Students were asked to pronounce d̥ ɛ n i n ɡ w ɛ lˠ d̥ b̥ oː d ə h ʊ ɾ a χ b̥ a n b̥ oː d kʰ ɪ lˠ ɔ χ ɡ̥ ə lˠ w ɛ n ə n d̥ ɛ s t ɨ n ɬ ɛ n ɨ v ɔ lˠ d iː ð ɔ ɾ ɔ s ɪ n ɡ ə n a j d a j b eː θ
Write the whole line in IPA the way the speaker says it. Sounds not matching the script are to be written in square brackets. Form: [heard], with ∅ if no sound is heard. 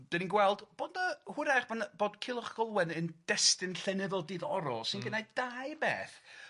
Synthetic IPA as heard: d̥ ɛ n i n ɡ w ɛ lˠ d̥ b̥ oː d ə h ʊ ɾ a χ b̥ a n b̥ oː d kʰ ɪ lˠ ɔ χ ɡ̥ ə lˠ w ɛ n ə n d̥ ɛ s t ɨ n ɬ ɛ n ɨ [ð] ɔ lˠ d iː ð ɔ ɾ ɔ s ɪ n ɡ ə n a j d a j b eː θ